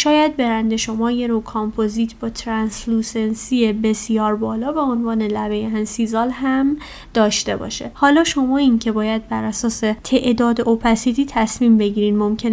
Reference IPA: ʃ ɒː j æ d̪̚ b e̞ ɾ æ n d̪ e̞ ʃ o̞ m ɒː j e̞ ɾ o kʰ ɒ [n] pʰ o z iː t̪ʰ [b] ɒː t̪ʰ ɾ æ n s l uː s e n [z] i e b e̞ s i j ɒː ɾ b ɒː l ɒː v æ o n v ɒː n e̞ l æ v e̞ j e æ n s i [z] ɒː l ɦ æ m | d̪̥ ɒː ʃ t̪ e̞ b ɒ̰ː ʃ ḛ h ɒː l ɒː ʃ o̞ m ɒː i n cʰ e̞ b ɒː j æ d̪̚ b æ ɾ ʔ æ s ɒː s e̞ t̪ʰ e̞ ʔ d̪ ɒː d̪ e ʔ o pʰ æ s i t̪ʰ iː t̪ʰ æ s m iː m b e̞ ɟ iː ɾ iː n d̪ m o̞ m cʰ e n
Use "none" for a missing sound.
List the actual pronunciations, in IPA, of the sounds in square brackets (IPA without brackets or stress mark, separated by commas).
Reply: m, b, s, z